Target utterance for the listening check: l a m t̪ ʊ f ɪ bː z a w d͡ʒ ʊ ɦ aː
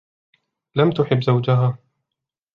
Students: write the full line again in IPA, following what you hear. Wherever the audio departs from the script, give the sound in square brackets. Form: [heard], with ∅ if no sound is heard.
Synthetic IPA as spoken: l a m t̪ ʊ [ħ] ɪ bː z a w d͡ʒ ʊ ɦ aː